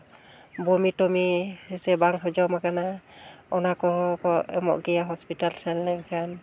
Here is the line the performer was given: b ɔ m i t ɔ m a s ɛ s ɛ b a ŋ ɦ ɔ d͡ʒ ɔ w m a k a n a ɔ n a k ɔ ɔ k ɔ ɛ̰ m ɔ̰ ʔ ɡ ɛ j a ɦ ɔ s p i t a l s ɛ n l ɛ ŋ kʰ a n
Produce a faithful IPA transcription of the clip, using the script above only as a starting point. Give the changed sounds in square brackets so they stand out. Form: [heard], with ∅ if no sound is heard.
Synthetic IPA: b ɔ m i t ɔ m [i] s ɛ s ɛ b a ŋ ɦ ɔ d͡ʒ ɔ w m a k a n a ɔ n a k ɔ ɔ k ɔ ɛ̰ m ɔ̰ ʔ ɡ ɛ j a ɦ ɔ s p i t a l s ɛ n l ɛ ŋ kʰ a n